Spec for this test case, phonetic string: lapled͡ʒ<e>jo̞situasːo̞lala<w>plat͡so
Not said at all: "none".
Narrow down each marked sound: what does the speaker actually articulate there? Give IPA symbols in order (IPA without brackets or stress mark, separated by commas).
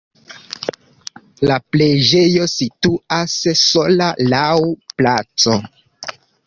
e, w